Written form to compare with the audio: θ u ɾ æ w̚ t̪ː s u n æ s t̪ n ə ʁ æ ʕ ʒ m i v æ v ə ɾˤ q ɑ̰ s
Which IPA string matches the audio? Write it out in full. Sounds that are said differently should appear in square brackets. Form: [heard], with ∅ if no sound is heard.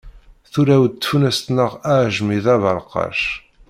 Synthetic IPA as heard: θ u ɾ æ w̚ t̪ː [f] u n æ s t̪ n ə ʁ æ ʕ ʒ m i [ð] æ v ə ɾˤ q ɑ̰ [ʃ]